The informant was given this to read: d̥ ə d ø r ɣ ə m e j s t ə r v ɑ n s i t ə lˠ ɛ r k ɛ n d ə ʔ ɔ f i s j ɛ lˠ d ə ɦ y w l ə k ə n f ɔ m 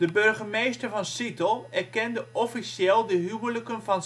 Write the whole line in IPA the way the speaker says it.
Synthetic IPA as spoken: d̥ ə b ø r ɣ ə m e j s t ə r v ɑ n s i t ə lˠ ɛ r k ɛ n d ə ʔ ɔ f i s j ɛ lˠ d ə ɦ y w l ə k ə n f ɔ n